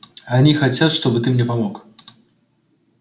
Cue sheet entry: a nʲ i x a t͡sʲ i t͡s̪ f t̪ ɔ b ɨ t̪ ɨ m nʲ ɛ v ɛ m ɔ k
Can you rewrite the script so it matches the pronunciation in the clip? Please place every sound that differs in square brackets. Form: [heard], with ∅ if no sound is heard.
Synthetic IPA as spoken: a nʲ i x a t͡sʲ [a] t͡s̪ [ʂ] t̪ ɔ b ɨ t̪ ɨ m nʲ ɛ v [a] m ɔ k